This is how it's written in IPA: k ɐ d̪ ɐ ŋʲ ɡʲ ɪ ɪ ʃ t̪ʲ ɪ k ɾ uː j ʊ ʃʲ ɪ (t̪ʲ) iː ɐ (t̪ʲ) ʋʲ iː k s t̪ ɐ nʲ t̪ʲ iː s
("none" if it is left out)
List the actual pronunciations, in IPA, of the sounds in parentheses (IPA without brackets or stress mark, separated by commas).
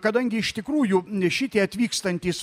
t̪ʲ, t̪ʲ